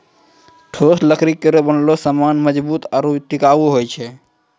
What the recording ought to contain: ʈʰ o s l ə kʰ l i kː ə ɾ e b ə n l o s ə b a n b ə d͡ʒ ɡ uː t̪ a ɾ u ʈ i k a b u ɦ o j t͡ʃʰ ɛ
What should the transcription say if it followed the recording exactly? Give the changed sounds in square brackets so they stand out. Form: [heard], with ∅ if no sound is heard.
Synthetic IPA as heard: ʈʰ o s l ə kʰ [ɾ] i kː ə ɾ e b ə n l o s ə [m] a n [m] ə d͡ʒ [b] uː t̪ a ɾ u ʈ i k a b u ɦ o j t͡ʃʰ ɛ